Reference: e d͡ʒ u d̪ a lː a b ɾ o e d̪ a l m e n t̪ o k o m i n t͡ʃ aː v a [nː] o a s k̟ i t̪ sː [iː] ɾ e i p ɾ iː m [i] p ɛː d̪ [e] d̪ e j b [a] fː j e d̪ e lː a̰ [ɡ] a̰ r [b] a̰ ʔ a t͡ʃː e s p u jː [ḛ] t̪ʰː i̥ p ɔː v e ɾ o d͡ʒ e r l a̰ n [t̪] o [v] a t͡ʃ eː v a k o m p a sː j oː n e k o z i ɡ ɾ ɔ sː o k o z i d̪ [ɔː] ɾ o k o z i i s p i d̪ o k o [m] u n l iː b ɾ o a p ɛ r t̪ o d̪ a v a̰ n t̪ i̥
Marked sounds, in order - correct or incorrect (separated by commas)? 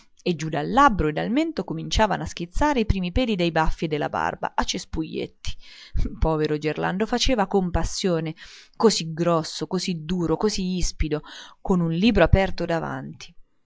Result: incorrect, incorrect, correct, incorrect, correct, incorrect, correct, correct, incorrect, incorrect, incorrect, incorrect